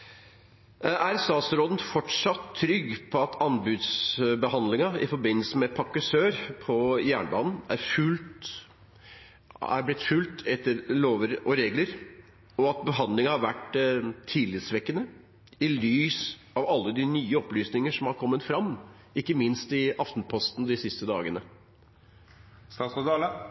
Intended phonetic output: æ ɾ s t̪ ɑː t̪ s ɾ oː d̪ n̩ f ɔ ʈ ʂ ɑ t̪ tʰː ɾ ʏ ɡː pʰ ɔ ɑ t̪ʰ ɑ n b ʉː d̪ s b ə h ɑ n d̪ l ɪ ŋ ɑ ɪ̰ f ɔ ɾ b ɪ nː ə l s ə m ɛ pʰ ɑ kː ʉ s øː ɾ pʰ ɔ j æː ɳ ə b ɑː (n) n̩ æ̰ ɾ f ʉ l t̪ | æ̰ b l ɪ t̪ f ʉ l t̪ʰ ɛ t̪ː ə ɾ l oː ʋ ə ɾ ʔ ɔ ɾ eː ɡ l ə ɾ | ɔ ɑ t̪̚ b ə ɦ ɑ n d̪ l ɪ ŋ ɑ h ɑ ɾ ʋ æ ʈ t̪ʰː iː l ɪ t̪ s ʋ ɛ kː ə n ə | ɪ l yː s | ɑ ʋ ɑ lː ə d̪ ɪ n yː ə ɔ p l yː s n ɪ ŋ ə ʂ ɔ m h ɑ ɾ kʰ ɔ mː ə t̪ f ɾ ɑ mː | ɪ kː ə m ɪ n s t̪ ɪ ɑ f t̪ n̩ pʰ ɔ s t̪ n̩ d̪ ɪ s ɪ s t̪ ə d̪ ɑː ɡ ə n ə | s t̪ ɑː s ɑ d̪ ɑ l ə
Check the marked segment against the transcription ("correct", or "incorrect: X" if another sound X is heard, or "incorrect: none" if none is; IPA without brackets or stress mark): correct